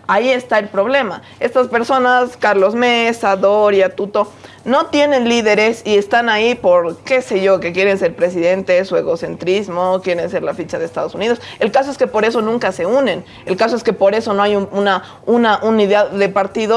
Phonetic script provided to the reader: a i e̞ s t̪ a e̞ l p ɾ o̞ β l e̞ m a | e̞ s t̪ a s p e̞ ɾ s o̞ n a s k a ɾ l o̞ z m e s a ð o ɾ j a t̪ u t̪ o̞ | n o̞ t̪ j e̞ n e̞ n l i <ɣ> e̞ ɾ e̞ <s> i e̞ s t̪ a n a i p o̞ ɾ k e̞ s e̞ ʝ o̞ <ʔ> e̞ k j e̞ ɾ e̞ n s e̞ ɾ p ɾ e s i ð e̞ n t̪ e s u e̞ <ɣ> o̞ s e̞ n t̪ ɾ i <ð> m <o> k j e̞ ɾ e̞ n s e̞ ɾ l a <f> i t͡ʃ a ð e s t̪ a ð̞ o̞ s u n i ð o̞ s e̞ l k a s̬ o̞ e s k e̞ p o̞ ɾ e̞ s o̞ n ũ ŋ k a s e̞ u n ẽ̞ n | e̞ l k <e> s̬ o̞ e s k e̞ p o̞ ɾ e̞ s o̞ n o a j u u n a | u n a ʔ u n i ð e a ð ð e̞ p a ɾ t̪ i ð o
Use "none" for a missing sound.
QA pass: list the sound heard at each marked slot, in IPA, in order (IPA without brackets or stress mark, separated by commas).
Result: ð, s, k, ɣ, z, o, f, a